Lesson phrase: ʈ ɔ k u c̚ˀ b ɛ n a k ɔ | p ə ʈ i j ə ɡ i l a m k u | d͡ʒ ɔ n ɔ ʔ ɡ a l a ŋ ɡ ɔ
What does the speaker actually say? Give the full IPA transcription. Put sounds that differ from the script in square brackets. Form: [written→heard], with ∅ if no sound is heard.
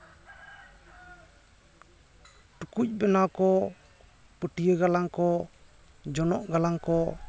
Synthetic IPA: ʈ [ɔ→u] k u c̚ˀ b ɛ n a k ɔ | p ə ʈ i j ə ɡ [i→a] l a [m→ŋ] k [u→ɔ] | d͡ʒ ɔ n ɔ ʔ ɡ a l a ŋ [ɡ→k] ɔ